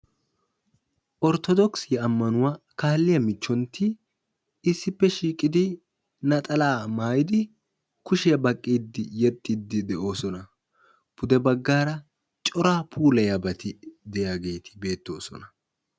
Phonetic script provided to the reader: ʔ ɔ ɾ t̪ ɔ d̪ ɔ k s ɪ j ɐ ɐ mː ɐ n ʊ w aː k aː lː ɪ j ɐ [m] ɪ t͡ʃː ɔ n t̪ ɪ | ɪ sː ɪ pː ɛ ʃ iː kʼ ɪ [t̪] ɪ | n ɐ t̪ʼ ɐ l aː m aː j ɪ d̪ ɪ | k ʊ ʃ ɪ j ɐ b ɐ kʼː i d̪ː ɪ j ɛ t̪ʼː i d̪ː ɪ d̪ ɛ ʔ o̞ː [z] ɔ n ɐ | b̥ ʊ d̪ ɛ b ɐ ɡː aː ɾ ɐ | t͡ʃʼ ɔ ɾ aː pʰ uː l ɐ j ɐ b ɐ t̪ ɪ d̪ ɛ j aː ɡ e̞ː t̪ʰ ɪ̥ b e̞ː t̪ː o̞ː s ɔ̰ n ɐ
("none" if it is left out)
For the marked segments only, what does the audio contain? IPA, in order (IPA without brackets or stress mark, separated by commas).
m, d̪, s